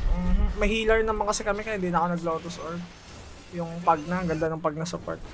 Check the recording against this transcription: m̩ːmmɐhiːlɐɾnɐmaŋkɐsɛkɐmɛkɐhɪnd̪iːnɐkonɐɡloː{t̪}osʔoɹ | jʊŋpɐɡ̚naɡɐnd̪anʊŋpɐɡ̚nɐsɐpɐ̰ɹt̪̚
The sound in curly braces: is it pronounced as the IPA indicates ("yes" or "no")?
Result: yes